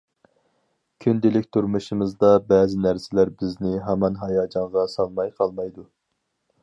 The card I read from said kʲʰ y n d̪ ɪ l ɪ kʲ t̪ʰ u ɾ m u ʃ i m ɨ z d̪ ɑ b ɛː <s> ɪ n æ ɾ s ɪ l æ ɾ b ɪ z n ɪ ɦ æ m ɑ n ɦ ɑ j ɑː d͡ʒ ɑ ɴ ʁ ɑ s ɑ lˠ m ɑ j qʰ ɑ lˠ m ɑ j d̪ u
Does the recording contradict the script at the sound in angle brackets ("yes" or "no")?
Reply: yes